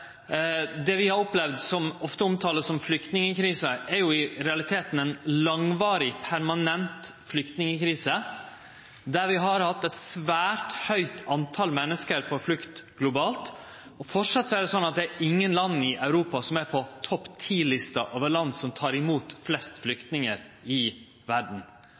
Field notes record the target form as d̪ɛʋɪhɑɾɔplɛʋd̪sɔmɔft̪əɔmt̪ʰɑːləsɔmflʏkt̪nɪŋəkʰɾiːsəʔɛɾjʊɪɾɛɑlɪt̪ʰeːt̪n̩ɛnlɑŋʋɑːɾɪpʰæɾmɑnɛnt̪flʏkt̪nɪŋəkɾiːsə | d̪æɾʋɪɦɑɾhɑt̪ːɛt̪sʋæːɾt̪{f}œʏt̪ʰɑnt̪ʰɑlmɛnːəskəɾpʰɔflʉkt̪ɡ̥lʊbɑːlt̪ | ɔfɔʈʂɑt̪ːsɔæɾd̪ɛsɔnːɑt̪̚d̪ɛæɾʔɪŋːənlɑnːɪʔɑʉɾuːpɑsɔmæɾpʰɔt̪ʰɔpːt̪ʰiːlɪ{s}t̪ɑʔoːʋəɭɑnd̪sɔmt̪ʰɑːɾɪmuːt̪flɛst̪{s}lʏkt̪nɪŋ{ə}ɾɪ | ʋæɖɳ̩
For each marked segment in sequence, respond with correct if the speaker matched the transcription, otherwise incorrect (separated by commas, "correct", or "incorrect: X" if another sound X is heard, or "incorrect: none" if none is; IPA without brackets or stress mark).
incorrect: h, correct, incorrect: f, correct